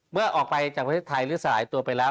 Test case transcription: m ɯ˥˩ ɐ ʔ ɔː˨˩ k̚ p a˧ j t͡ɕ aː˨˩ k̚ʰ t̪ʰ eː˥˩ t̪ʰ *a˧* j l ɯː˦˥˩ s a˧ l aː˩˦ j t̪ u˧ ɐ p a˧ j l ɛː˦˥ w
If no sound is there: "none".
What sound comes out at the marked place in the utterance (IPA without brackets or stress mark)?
a˧